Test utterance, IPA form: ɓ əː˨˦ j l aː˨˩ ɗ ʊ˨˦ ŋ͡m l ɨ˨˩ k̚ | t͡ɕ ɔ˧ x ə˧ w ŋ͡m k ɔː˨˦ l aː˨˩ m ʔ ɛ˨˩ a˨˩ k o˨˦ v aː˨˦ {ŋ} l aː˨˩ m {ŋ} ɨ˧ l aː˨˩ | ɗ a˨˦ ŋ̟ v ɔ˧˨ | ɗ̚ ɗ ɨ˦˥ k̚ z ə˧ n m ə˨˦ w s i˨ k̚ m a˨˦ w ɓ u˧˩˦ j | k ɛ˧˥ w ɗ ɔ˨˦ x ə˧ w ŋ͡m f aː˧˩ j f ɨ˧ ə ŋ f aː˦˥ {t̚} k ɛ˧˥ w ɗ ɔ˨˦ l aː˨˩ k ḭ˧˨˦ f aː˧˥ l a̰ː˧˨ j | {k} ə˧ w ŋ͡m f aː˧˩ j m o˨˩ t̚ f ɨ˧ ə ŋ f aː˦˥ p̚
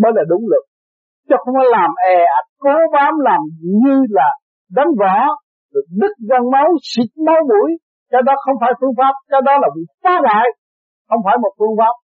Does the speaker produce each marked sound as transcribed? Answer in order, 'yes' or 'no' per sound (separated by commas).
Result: no, no, no, no